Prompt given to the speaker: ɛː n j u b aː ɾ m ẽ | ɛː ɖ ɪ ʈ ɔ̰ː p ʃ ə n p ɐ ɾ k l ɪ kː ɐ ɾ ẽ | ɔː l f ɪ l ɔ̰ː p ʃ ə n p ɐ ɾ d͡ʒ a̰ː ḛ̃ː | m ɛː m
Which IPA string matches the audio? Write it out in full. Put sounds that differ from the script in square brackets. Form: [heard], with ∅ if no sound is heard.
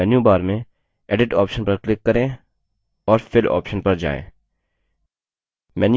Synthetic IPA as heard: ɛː n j u b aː ɾ m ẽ | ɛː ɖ ɪ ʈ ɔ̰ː p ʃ ə n p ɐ ɾ k l ɪ kː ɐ ɾ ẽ | ɔː [ɾ] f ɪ l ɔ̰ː p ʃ ə n p ɐ ɾ d͡ʒ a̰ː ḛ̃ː | m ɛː [n]